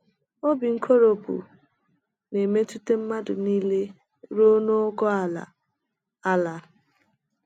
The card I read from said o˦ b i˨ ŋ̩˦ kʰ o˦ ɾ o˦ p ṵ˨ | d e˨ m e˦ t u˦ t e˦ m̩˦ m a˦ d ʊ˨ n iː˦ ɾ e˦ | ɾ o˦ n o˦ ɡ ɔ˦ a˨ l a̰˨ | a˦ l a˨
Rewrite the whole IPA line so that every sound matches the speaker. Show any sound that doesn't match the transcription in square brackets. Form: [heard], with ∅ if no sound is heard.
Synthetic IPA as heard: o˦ b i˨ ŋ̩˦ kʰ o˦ ɾ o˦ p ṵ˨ | [n] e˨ m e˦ t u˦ t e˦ m̩˦ m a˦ d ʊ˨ n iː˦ [l] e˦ | ɾ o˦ n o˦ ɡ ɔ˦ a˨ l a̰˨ | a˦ l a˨